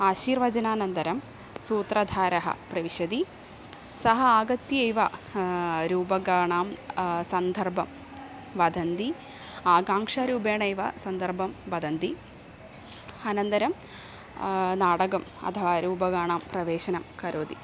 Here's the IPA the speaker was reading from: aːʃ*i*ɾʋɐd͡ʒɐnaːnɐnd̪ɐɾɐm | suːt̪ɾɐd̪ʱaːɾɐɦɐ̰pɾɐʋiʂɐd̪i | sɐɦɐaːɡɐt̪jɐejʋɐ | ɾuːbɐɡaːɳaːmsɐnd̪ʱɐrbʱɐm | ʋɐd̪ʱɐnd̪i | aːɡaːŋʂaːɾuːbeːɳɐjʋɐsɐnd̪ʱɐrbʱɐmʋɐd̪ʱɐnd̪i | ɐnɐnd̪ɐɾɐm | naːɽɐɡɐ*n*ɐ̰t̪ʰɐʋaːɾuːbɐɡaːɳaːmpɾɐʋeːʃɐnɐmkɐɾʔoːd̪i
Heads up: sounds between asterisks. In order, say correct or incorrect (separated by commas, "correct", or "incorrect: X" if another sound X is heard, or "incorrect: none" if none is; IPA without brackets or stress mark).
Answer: incorrect: iː, incorrect: m